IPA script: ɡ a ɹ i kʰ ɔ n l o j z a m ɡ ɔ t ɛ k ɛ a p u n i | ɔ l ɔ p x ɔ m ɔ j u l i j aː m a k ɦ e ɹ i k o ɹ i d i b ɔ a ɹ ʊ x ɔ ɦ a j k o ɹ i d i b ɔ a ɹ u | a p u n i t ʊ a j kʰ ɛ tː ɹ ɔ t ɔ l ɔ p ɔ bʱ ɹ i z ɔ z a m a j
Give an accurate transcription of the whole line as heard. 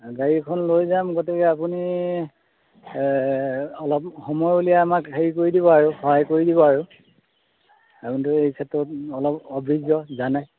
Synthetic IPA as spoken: ɡ a ɹ i kʰ ɔ n l o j z a m ɡ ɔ t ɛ k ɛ a p u n i | ɔ l ɔ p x ɔ m ɔ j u l i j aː m a k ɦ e ɹ i k o ɹ i d i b ɔ a ɹ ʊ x ɔ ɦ a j k o ɹ i d i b ɔ a ɹ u | a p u n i t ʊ e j kʰ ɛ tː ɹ ɔ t ɔ l ɔ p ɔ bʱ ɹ i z ɔ z a n a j